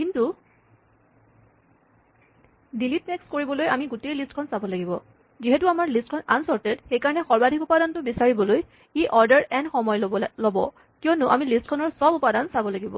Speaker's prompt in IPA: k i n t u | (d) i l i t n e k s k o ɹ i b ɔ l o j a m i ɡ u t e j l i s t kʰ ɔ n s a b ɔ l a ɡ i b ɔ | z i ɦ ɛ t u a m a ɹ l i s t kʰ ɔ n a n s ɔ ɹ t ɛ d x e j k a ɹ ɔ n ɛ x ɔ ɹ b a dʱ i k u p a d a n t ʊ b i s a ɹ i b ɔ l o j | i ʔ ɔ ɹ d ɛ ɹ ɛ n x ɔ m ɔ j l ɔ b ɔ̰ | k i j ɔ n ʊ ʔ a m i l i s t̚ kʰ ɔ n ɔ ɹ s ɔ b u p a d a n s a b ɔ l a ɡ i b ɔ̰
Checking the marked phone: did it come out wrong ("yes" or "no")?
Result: no